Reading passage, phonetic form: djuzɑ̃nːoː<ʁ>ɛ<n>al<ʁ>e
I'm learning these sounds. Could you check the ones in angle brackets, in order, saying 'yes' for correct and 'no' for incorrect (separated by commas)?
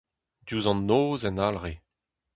no, yes, yes